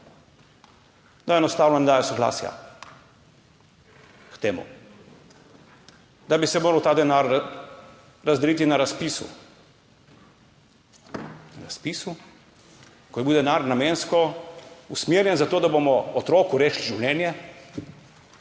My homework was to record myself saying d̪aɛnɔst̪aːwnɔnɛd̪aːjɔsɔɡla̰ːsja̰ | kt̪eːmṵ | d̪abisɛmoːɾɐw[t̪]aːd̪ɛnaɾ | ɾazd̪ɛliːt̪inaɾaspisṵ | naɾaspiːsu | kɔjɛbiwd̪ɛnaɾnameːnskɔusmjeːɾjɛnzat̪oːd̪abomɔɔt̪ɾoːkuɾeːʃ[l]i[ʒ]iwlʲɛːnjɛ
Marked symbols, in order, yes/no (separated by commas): yes, yes, yes